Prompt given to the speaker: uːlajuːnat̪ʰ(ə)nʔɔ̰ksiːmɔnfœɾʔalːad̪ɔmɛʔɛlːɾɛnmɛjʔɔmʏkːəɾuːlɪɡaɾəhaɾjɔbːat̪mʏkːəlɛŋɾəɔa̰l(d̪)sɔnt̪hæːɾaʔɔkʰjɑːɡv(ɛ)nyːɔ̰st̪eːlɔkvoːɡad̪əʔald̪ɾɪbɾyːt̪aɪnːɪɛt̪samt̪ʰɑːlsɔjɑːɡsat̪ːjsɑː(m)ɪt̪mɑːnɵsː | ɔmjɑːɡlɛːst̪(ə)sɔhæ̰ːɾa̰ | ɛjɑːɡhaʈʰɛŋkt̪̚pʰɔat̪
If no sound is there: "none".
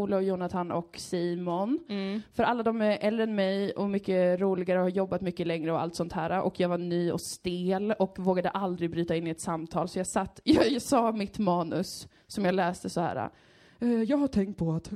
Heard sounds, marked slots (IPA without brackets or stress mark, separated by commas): a, t̪, a, m, ə